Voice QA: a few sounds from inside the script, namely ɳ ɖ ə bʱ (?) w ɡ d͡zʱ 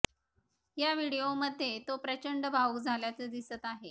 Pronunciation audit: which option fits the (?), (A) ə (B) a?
B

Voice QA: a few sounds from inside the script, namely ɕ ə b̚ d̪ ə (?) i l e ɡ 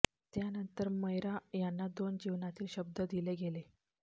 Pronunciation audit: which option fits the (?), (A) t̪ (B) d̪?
B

